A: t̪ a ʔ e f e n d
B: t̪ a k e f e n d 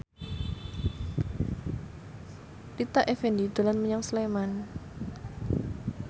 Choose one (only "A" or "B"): A